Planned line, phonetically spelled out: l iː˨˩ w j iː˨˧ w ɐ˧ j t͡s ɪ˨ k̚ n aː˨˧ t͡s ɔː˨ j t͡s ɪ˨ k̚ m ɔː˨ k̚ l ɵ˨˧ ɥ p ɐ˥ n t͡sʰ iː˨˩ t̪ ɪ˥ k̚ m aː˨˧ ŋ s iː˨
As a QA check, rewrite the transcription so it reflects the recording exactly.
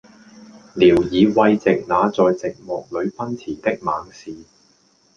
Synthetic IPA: l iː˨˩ w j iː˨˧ w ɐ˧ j t͡s ɪ˨ k̚ n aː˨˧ t͡s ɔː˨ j t͡s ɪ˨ k̚ m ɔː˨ k̚ l ɵ˨˧ ɥ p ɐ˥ n t͡sʰ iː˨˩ t̪ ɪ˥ k̚ m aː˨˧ ŋ s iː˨

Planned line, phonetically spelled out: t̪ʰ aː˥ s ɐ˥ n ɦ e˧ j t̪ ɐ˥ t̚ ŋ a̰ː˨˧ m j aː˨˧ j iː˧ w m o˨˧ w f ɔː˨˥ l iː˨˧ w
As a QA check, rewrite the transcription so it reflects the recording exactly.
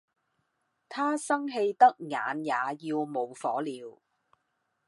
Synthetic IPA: t̪ʰ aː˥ s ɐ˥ ŋ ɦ e˧ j t̪ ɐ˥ k̚ ŋ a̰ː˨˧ n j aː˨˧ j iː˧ w m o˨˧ w f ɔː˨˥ l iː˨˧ w

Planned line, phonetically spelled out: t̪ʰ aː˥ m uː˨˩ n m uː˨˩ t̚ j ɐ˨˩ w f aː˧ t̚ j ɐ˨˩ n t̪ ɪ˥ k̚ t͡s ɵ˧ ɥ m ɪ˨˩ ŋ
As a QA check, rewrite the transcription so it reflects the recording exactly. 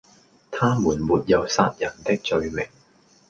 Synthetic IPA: t̪ʰ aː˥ m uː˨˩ n m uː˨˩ t̚ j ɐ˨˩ w s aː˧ t̚ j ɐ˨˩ n t̪ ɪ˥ k̚ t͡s ɵ˧ ɥ m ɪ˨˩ ŋ

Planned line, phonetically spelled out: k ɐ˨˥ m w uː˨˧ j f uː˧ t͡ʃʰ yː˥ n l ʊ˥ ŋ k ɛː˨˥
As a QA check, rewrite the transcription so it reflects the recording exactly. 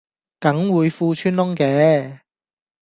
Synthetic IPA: k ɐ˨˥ ŋ w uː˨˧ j f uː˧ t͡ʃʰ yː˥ n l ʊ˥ ŋ k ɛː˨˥

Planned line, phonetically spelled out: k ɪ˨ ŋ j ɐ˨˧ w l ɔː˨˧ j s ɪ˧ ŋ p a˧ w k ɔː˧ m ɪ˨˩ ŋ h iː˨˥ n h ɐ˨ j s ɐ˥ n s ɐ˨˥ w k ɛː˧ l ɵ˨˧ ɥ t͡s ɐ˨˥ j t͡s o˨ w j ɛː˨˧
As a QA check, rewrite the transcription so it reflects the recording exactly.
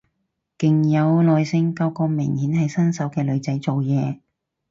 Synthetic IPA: k ɪ˨ ŋ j ɐ˨˧ w l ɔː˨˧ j s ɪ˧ ŋ k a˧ w k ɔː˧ m ɪ˨˩ ŋ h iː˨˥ n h ɐ˨ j s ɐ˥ n s ɐ˨˥ w k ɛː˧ l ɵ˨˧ ɥ t͡s ɐ˨˥ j t͡s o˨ w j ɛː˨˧

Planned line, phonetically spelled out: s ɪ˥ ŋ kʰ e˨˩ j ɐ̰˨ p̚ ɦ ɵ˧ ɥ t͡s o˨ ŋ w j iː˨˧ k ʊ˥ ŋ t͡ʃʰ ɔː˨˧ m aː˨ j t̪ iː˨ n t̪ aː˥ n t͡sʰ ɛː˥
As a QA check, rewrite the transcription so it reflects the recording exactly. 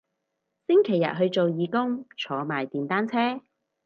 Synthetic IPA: s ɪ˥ ŋ kʰ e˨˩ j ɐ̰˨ t̚ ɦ ɵ˧ ɥ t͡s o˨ w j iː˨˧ k ʊ˥ ŋ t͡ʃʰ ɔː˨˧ m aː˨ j t̪ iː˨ n t̪ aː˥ n t͡sʰ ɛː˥

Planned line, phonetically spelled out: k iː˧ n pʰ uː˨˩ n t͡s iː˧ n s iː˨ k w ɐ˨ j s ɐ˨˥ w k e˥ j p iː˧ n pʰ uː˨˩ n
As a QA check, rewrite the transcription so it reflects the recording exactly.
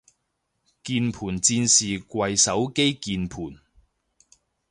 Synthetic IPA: k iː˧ n pʰ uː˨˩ n t͡s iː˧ n s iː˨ k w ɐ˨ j s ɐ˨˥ w k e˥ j k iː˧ n pʰ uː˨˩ n

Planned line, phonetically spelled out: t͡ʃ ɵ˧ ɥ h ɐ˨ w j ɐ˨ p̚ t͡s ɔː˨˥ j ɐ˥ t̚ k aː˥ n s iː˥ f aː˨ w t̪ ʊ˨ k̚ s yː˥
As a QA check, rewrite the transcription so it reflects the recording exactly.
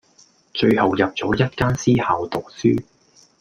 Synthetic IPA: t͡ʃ ɵ˧ ɥ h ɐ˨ w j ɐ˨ p̚ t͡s ɔː˨˥ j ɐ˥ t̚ k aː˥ n s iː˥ h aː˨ w t̪ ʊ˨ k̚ s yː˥

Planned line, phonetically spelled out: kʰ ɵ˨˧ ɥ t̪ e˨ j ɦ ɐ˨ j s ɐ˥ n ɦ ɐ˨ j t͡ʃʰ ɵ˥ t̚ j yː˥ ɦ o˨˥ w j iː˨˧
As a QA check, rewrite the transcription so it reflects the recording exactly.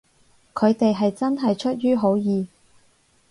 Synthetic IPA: kʰ ɵ˨˧ ɥ t̪ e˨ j ɦ ɐ˨ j t͡s ɐ˥ n ɦ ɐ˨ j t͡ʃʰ ɵ˥ t̚ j yː˥ ɦ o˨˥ w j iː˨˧

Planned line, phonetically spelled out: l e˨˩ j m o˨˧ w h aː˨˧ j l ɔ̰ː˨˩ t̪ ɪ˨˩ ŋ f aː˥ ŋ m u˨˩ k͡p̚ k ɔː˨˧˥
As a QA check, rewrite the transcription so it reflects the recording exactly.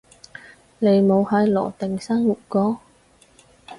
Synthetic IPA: l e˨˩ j m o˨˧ w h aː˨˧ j l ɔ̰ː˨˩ t̪ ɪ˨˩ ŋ s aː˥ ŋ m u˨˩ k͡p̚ k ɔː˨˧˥

